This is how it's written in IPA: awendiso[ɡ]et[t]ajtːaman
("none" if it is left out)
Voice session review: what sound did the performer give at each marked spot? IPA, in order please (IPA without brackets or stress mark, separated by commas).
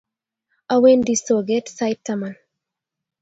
ɡ, s